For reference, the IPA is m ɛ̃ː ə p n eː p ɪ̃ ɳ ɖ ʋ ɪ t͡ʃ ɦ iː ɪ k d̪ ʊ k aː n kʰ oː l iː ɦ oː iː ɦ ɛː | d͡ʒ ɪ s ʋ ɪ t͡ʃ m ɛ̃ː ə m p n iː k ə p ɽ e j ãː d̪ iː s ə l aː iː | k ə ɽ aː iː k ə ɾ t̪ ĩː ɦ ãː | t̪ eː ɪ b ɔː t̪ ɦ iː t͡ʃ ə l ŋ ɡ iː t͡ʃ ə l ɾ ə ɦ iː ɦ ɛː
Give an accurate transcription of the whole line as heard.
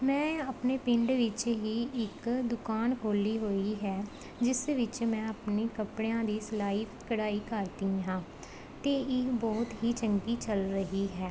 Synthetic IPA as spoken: m ɛ̃ː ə p n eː p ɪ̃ ɳ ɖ ʋ ɪ t͡ʃ ɦ iː ɪ k d̪ ʊ k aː n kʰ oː l iː ɦ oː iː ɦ ɛː | d͡ʒ ɪ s ʋ ɪ t͡ʃ m ɛ̃ː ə p n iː k ə p ɽ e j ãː d̪ iː s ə l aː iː | k ə ɽ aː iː k ə ɾ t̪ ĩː ɦ ãː | t̪ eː ɪ b ɔː t̪ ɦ iː t͡ʃ ə ŋ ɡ iː t͡ʃ ə l ɾ ə ɦ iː ɦ ɛː